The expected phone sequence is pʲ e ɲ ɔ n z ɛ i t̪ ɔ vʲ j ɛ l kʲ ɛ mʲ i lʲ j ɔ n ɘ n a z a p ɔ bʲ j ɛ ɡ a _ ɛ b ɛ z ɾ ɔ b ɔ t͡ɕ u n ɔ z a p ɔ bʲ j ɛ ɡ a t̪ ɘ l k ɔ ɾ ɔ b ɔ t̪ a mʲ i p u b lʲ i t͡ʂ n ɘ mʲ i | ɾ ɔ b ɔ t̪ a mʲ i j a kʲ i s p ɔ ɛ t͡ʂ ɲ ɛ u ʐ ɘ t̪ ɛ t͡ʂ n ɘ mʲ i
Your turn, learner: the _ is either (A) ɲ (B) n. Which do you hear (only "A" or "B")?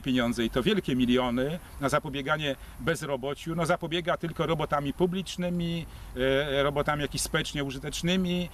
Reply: A